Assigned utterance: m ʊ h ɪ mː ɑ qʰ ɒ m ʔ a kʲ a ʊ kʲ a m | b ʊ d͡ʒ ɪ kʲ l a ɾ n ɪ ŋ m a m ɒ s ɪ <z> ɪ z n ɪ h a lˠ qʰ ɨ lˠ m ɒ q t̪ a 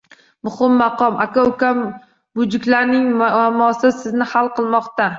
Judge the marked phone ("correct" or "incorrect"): incorrect